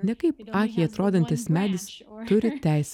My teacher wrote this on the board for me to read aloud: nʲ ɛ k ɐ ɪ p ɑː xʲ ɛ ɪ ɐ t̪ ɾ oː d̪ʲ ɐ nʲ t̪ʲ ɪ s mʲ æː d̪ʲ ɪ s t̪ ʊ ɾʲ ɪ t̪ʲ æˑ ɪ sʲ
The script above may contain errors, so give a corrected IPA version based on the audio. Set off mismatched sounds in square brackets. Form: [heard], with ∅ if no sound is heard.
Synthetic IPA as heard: nʲ ɛ k ɐ ɪ p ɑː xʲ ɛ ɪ ɐ t̪ ɾ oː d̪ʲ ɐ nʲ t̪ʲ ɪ s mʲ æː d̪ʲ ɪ s t̪ ʊ ɾʲ ɪ t̪ʲ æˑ ɪ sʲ